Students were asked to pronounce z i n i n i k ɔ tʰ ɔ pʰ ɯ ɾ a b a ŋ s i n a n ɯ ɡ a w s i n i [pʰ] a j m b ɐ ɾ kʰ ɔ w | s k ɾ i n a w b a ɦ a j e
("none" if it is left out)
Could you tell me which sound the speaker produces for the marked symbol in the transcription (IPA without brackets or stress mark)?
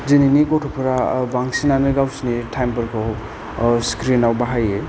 tʰ